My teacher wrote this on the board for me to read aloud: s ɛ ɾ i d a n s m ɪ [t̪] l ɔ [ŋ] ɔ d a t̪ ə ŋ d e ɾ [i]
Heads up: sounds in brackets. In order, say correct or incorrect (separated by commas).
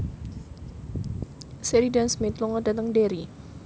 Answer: correct, correct, correct